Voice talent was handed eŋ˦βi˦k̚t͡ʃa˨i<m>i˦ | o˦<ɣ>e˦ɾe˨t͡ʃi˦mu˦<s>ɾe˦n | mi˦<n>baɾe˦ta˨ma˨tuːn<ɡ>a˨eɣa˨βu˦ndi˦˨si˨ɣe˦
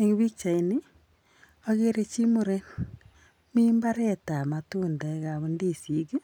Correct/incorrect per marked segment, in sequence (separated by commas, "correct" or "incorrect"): incorrect, correct, incorrect, incorrect, incorrect